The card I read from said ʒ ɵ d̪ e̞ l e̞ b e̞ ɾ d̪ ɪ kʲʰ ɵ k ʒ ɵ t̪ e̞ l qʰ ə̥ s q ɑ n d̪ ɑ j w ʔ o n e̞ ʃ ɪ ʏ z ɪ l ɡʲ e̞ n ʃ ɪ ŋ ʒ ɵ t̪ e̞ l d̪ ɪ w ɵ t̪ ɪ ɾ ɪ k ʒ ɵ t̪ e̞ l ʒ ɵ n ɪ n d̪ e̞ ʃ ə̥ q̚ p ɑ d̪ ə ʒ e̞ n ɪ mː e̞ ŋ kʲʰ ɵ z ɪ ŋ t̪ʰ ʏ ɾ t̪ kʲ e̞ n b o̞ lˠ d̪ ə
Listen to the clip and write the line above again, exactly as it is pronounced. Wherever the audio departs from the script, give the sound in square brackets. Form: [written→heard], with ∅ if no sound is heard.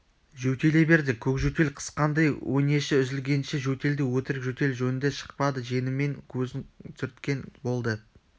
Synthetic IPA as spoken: ʒ ɵ [d̪→t̪] e̞ l e̞ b e̞ ɾ d̪ ɪ kʲʰ ɵ k ʒ ɵ t̪ e̞ l qʰ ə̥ s q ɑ n d̪ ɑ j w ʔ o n e̞ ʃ ɪ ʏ z ɪ l ɡʲ e̞ n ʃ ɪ [ŋ→∅] ʒ ɵ t̪ e̞ l d̪ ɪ w ɵ t̪ ɪ ɾ ɪ k ʒ ɵ t̪ e̞ l ʒ ɵ n ɪ n d̪ e̞ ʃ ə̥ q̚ p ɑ d̪ ə ʒ e̞ n ɪ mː e̞ ŋ kʲʰ ɵ z ɪ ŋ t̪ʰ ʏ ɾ t̪ kʲ e̞ n b o̞ lˠ d̪ ə